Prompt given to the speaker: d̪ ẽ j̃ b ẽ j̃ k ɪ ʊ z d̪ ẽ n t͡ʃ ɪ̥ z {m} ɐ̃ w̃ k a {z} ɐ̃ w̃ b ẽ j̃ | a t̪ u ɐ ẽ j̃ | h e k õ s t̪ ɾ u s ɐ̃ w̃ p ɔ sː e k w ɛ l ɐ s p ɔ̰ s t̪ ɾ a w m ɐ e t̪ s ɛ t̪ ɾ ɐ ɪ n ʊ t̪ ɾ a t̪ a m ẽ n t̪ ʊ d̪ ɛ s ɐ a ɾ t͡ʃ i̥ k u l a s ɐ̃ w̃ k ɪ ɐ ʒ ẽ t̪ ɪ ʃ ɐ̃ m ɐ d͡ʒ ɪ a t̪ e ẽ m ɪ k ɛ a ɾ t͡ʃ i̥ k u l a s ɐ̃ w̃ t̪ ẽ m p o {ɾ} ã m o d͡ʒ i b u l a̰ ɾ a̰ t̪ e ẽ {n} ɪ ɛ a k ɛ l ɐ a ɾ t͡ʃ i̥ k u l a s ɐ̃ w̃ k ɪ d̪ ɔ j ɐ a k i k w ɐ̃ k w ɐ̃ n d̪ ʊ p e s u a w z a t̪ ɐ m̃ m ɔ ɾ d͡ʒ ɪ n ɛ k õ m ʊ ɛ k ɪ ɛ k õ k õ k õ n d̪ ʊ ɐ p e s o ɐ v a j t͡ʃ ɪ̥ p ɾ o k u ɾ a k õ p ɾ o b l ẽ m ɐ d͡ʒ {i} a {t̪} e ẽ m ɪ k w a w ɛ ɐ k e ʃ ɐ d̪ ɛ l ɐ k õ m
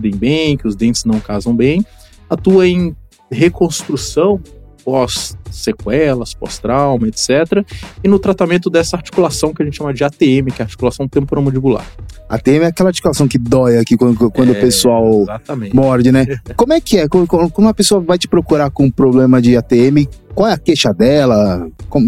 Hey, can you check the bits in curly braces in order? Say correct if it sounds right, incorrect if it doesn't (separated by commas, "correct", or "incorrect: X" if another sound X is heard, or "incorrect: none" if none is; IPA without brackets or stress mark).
incorrect: n, correct, correct, incorrect: m, incorrect: ɪ, correct